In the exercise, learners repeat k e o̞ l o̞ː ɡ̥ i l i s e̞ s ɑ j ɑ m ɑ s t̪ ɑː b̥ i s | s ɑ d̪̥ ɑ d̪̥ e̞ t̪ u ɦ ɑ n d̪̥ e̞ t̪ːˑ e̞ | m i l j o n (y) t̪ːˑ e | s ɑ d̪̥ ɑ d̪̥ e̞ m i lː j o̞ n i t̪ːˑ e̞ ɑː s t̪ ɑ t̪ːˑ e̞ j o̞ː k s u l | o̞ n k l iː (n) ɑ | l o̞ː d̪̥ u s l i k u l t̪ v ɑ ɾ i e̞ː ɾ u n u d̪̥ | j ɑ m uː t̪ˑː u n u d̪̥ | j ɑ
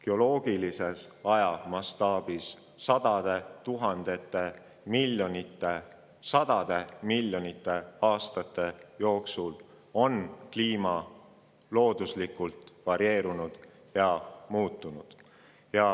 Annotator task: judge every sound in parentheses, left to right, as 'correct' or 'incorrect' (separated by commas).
incorrect, incorrect